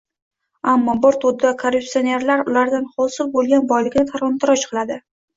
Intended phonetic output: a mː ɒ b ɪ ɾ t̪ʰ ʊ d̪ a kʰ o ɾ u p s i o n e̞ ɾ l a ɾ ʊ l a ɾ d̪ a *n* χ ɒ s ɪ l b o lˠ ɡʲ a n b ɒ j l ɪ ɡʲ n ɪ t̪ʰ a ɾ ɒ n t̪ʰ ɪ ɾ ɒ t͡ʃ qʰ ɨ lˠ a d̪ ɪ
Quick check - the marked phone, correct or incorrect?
correct